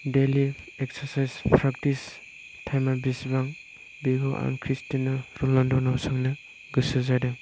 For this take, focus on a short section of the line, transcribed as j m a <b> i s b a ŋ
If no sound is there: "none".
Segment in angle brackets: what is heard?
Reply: b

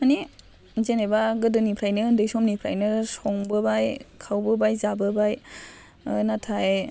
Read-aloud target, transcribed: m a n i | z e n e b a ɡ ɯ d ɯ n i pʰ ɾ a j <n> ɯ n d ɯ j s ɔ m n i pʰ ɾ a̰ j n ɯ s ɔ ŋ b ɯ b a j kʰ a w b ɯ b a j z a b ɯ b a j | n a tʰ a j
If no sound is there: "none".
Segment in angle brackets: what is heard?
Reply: n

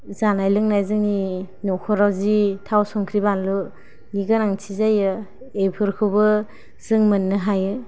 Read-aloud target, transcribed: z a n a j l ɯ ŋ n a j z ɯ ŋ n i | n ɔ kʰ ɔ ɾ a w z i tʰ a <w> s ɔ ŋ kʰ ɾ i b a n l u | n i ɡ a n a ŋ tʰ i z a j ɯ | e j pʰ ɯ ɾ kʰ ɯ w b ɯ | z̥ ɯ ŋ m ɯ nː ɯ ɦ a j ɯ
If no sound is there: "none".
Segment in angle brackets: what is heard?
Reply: w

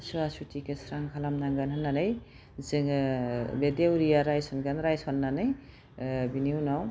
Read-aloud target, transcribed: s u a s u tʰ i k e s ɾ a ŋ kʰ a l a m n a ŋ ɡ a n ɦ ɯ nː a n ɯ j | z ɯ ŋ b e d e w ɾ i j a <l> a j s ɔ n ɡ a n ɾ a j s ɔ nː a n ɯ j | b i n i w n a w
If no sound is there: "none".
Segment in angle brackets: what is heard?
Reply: ɾ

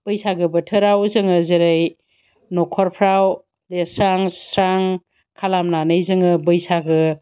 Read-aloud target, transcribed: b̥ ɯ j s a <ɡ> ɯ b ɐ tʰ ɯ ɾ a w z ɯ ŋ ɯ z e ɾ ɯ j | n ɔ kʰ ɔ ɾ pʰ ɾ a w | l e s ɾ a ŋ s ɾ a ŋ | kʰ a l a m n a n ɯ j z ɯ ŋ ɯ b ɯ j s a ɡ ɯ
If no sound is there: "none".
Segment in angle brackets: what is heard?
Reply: ɡ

